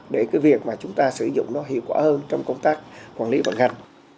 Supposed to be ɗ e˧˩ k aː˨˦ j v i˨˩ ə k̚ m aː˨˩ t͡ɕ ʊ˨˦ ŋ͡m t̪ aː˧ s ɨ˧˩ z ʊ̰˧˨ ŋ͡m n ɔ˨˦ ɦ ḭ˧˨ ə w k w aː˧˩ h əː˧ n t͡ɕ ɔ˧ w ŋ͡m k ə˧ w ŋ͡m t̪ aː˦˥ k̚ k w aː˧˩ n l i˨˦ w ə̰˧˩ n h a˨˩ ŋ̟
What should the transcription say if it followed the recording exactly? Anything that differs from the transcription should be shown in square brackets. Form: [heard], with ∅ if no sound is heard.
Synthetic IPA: ɗ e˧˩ k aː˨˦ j v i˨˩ ə k̚ m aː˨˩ t͡ɕ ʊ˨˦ ŋ͡m t̪ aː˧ s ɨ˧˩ z ʊ̰˧˨ ŋ͡m n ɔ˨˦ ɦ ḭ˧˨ ə w k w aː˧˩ h əː˧ n t͡ɕ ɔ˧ w ŋ͡m k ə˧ w ŋ͡m t̪ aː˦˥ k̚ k w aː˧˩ n l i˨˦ [v] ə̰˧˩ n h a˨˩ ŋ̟

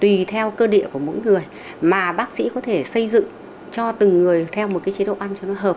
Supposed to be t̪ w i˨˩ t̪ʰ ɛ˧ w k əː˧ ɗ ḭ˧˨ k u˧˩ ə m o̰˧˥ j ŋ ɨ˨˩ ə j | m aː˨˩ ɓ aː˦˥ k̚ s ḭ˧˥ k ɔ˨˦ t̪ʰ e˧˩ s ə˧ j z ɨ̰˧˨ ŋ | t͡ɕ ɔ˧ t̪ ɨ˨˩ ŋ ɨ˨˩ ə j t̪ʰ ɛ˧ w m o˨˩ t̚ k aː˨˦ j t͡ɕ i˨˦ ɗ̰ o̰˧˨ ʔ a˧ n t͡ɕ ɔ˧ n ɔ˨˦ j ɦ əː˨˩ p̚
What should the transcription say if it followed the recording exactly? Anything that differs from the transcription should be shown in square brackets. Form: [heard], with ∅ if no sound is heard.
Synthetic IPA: t̪ w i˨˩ t̪ʰ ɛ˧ w k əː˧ ɗ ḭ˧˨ k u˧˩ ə m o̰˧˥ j ŋ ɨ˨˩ ə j | m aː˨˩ ɓ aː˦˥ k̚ s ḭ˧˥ k ɔ˨˦ t̪ʰ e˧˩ s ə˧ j z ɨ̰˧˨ ŋ | t͡ɕ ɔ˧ t̪ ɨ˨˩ [ŋː] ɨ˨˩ ə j t̪ʰ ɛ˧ w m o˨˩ t̚ k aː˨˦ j t͡ɕ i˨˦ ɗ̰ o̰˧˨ ʔ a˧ n t͡ɕ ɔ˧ n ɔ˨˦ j ɦ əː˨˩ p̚

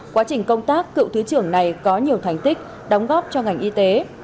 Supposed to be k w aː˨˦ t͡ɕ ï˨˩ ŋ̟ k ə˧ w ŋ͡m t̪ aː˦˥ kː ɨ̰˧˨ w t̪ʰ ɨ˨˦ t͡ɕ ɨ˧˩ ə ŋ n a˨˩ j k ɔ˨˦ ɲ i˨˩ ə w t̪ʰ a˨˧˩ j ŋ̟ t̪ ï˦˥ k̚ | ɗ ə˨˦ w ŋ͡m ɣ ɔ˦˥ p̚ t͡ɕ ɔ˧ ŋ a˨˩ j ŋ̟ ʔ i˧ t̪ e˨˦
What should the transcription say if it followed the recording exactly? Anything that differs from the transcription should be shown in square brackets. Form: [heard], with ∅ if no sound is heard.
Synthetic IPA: k w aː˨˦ t͡ɕ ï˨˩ ŋ̟ k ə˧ w ŋ͡m t̪ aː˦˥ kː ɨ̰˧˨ w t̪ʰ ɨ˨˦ t͡ɕ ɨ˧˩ ə ŋ n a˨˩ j k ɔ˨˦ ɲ i˨˩ ə w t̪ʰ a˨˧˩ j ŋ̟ t̪ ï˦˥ k̚ | ɗ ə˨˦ w ŋ͡m ɣ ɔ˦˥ p̚ t͡ɕ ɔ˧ ŋ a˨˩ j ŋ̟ ʔ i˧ t̪ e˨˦

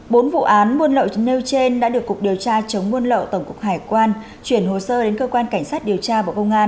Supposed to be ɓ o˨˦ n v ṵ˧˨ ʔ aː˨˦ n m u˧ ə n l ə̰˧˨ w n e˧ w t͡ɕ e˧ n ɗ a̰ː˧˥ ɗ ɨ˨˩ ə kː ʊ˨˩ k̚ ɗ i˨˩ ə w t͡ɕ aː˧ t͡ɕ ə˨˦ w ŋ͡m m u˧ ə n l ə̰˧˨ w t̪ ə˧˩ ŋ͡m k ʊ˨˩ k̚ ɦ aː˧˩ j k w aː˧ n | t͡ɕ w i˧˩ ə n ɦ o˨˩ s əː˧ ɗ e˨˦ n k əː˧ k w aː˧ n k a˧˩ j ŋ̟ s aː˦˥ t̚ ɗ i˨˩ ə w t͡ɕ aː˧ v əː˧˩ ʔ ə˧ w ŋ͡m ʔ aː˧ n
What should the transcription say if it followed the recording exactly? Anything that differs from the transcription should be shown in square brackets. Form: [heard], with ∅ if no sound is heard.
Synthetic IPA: ɓ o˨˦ n v ṵ˧˨ ʔ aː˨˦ n m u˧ ə n l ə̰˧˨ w n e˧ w t͡ɕ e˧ n ɗ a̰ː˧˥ ɗ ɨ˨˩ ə kː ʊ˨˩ k̚ ɗ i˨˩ ə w t͡ɕ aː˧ t͡ɕ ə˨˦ w ŋ͡m m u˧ ə n l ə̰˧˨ w t̪ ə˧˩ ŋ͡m k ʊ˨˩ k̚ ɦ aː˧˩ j k w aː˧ n | t͡ɕ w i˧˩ ə n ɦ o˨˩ s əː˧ ɗ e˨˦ n k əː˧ k w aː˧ n k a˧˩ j ŋ̟ s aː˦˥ t̚ ɗ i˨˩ ə w t͡ɕ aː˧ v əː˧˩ [k] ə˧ w ŋ͡m ʔ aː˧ n

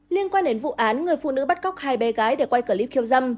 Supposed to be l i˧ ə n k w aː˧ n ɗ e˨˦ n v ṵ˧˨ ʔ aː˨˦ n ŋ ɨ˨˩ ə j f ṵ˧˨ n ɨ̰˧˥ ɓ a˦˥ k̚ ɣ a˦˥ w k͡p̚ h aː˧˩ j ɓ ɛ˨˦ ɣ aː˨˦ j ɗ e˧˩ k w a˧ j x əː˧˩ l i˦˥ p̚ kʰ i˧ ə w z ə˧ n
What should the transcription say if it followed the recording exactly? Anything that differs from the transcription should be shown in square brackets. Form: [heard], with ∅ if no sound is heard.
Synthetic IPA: l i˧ ə n k w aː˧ n ɗ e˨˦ n v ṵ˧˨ ʔ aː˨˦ n ŋ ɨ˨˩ ə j f ṵ˧˨ n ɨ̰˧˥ ɓ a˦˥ [t̚] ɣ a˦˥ w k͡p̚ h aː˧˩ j ɓ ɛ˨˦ ɣ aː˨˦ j ɗ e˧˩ k w a˧ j [k] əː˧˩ l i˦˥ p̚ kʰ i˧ ə w z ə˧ [m]

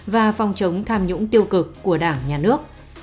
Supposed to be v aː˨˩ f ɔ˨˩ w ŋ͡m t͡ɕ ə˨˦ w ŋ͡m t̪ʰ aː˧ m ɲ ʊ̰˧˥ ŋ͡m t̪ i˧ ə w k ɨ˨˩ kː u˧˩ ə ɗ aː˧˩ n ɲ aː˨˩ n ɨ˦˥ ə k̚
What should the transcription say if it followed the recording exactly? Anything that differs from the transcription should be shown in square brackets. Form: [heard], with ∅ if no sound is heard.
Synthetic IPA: v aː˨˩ f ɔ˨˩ w ŋ͡m t͡ɕ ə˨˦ w ŋ͡m t̪ʰ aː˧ m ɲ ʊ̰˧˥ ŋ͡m t̪ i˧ ə w k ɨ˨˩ kː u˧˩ ə ɗ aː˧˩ [ŋ] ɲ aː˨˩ n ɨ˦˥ ə k̚

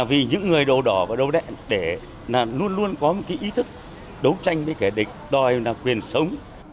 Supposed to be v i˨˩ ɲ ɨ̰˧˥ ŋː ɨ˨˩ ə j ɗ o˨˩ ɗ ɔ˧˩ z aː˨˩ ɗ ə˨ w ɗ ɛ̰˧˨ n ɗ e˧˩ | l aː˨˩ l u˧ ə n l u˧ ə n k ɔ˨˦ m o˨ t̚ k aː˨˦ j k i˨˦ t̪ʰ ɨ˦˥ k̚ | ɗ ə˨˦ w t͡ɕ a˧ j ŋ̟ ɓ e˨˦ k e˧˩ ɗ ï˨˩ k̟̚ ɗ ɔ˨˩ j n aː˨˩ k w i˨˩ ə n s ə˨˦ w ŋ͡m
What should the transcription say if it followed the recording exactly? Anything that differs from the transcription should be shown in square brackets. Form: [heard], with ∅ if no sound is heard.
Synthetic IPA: v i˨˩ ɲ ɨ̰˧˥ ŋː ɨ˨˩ ə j ɗ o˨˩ ɗ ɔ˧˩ [v] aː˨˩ ɗ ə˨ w ɗ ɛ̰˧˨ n ɗ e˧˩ | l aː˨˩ l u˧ ə n l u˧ ə n k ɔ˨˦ m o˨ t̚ k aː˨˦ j [ʔ] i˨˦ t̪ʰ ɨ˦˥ k̚ | ɗ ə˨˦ w t͡ɕ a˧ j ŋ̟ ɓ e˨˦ k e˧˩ ɗ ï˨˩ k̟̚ ɗ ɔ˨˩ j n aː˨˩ k w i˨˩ ə n s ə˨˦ w ŋ͡m

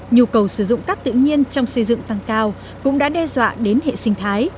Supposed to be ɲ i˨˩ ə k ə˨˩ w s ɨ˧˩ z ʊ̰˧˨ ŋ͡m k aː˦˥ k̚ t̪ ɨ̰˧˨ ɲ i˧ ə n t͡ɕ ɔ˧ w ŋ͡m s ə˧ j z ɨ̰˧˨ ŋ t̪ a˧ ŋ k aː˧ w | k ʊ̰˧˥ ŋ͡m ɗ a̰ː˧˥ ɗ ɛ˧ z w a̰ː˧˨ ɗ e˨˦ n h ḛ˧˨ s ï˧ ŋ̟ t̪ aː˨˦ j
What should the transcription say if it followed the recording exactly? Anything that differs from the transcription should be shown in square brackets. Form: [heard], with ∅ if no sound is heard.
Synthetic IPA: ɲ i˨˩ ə k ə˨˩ w s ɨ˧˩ z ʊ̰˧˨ ŋ͡m k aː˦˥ k̚ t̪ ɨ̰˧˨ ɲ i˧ ə n t͡ɕ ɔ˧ w ŋ͡m s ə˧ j z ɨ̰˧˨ ŋ t̪ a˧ ŋ k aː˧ w | k ʊ̰˧˥ ŋ͡m ɗ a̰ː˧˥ ɗ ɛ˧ z w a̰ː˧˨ ɗ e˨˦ n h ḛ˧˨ s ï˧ ŋ̟ [t̪ʰ] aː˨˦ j

